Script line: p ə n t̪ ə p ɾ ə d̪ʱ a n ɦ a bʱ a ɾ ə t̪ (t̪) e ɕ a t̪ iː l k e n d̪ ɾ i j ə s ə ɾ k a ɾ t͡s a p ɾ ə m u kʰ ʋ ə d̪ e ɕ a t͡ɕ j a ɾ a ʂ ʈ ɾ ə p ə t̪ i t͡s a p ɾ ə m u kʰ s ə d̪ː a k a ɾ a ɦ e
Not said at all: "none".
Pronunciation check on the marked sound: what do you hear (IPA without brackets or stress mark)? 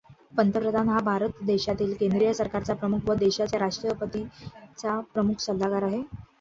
d̪